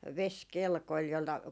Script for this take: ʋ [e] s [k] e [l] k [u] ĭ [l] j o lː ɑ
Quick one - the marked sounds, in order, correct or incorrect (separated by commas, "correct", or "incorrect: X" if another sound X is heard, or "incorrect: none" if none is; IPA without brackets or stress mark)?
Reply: correct, correct, correct, incorrect: o, correct